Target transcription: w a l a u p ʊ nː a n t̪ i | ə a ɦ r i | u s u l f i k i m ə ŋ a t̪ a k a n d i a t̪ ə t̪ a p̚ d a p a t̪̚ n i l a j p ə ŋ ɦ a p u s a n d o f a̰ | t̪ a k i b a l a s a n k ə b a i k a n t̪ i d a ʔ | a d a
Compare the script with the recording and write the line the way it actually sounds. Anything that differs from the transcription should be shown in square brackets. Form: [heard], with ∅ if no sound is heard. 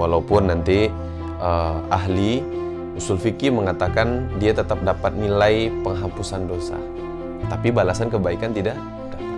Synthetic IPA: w a l a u p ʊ nː a n t̪ i | ə a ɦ [l] i | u s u l f i k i m ə ŋ a t̪ a k a n d i a t̪ ə t̪ a p̚ d a p a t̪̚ n i l a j p ə ŋ ɦ a p u s a n d o [s] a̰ | t̪ a [p] i b a l a s a n k ə b a i k a n t̪ i d a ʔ | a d a

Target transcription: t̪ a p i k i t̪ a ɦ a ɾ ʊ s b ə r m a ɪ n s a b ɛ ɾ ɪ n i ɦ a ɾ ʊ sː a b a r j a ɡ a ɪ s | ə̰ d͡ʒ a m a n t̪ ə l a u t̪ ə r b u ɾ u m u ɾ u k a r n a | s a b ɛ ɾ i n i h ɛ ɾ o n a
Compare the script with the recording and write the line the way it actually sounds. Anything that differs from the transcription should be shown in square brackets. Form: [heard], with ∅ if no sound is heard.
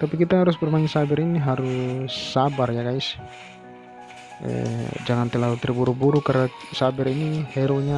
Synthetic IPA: t̪ a p i k i t̪ a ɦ a ɾ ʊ s b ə r m a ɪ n s a b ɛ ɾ [i] n i ɦ a ɾ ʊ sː a b a r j a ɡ a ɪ s | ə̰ d͡ʒ a [ŋ] a n t̪ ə l a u t̪ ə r b u ɾ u [b] u ɾ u k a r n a | s a b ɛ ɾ i n i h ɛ ɾ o [ɲ] a

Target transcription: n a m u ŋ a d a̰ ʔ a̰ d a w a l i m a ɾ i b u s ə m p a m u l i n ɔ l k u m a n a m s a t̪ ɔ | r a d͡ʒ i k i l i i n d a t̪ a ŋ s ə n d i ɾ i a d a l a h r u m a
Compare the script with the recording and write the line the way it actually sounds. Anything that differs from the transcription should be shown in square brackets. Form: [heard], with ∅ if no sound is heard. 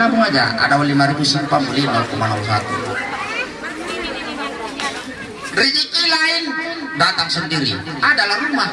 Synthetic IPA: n a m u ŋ a [d͡ʒ] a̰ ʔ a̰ d a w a l i m a ɾ i b u s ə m p a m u l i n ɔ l k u m a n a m s a t̪ [u] | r [i] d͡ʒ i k i l [a] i n d a t̪ a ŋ s ə n d i ɾ i a d a l a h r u m a

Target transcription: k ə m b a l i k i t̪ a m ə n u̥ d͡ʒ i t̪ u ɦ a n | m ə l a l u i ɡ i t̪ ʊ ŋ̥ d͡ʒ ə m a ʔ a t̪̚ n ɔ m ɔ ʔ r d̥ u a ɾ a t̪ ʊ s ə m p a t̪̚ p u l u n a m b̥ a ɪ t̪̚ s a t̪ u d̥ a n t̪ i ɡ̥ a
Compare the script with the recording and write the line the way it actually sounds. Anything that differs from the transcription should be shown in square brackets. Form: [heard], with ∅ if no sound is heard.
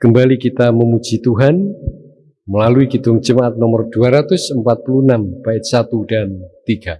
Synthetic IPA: k ə m b a l i k i t̪ a m ə [m] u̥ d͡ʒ i t̪ u ɦ a n | m ə l a l u i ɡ i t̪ ʊ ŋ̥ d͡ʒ ə m a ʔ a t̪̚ n ɔ m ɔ [∅] r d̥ u a ɾ a t̪ ʊ s ə m p a t̪̚ p u l u n a m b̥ a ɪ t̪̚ s a t̪ u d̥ a n t̪ i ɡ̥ a

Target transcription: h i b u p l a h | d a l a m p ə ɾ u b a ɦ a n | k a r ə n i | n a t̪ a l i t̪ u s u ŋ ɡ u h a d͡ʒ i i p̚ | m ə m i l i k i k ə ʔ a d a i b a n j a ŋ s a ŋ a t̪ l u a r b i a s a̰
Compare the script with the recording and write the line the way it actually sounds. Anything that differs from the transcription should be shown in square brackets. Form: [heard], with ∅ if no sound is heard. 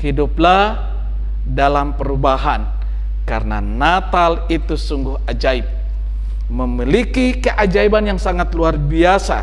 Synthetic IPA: h i [d] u p l a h | d a l a m p ə ɾ u b a ɦ a n | k a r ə n [a] | n a t̪ a l i t̪ u s u ŋ ɡ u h a d͡ʒ [a] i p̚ | m ə m i l i k i k ə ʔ a [d͡ʒ] a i b a n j a ŋ s a ŋ a t̪ l u a r b i a s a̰

